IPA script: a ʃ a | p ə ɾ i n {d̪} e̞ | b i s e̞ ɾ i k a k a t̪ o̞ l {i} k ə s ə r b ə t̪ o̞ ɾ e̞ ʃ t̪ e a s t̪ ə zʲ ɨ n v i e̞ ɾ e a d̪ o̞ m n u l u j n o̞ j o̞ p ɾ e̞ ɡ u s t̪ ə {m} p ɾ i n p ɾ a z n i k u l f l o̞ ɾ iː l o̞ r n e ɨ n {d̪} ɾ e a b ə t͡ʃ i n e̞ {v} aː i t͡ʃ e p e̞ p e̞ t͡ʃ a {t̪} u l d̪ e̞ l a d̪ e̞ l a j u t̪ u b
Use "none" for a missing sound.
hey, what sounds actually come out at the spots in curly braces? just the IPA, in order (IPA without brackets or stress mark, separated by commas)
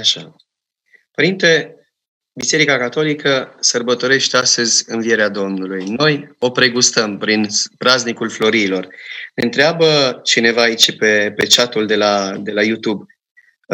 t̪, i, m, t̪, v, t̪